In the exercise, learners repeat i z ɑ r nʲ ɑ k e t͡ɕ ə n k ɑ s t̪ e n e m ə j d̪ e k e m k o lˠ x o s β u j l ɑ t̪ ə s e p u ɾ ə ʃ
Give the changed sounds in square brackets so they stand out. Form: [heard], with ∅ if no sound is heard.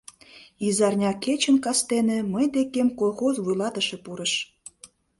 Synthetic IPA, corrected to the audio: i z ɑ r nʲ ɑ k e t͡ɕ ə n k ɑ s t̪ e n e m ə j d̪ e k e m k o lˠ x o [z] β u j l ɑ t̪ ə [ʃ] e p u ɾ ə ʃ

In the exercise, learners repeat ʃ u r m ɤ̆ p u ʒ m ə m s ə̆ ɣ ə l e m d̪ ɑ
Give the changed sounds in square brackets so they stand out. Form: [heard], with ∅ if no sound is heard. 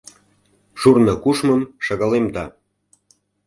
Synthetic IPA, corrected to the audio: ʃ u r [n] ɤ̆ [k] u [ʃ] m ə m [ʃ] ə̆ ɣ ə l e m d̪ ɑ

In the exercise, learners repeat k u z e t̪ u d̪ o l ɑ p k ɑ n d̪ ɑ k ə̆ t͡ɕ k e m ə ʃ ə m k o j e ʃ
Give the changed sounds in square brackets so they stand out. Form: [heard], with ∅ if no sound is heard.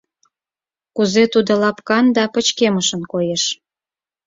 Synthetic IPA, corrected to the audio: k u z e t̪ u d̪ o l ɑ p k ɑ n d̪ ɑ [p] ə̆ t͡ɕ k e m ə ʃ ə [n] k o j e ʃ

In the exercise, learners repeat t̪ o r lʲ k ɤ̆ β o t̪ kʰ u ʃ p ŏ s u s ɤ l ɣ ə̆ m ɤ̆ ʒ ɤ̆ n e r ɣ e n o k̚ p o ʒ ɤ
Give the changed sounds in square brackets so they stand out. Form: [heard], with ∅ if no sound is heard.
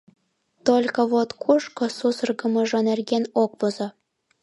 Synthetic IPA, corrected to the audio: t̪ o [∅] lʲ k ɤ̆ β o t̪ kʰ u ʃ [k] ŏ s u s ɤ [r] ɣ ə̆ m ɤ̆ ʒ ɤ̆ n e r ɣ e n o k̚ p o [z] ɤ

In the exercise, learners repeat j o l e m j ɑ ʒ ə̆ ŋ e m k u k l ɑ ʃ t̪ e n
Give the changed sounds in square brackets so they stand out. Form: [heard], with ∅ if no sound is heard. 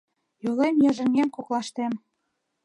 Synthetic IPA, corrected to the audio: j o l e m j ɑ ʒ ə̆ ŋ e m k [o] k l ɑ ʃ t̪ e [m]

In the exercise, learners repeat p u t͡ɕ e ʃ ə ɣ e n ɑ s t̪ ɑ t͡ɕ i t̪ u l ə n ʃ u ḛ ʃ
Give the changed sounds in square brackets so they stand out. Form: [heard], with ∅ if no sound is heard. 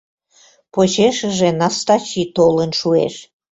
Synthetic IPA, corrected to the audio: p [o] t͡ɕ e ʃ ə [ʒ] e n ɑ s t̪ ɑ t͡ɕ i t̪ [o] l ə n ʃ u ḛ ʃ

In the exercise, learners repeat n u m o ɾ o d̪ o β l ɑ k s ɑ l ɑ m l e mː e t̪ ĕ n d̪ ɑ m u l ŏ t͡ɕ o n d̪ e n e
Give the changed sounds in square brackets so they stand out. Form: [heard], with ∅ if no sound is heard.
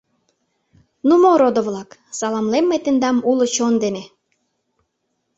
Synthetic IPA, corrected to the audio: n u m o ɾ o d̪ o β l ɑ k s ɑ l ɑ m l e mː e t̪ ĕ n d̪ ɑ m u l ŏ t͡ɕ o n d̪ e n e

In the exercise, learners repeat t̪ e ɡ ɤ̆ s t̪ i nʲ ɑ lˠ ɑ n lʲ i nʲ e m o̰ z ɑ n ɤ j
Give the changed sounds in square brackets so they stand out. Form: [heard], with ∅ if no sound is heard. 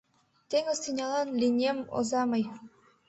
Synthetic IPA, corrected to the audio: t̪ e [ŋ] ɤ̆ s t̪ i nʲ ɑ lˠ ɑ n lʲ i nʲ e m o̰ z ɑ [m] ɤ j

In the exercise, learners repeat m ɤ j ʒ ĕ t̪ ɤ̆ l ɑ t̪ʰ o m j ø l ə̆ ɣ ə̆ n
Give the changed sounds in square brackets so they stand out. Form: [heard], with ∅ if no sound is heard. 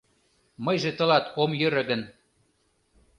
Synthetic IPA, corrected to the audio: m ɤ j ʒ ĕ t̪ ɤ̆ l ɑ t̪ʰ o m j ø [ɾ] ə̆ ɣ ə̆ n

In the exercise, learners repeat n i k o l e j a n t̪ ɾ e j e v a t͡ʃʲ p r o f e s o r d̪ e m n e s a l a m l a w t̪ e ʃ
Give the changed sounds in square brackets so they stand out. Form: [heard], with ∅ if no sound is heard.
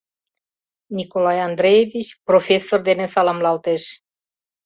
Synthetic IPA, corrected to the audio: n i k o l [a] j a n [d̪] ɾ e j e v [i] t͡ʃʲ p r o f e s o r d̪ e [∅] n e s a l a m l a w t̪ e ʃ

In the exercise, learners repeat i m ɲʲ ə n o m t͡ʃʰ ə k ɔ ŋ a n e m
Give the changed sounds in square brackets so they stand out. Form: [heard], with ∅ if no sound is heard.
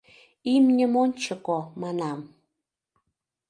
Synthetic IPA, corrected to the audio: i m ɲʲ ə [m] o [n] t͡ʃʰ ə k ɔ [m] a n [a] m

